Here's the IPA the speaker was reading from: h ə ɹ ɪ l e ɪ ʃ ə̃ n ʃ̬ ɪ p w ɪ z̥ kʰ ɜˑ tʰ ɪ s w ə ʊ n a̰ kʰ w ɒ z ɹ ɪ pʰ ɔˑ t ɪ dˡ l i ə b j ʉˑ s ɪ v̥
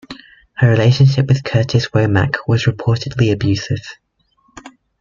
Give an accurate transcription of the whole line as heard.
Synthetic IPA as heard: h ə ɹ ɪ l e ɪ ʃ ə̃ n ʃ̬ ɪ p w ɪ ð̥ kʰ ɜˑ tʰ ɪ s w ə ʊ m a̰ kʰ w ɒ z ɹ ɪ pʰ ɔˑ t ɪ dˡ l i ə b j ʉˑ s ɪ v̥